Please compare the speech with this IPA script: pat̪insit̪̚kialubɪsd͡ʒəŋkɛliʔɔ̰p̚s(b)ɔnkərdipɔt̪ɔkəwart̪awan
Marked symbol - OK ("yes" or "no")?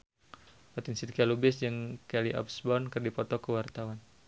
yes